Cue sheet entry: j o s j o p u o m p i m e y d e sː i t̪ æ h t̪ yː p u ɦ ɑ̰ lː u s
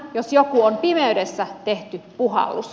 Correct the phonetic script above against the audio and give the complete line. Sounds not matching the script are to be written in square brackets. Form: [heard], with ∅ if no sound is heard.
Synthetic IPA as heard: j o s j o [k] u o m p i m e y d e sː [æ] t̪ [e] h t̪ [y] p u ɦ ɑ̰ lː u s